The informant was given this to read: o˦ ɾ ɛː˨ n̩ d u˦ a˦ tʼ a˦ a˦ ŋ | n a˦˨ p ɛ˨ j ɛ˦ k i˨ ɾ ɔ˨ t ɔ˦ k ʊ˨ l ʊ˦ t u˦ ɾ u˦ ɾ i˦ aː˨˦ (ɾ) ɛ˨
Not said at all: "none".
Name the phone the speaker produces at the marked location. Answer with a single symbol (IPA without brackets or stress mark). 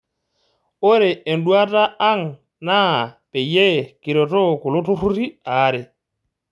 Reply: ɾ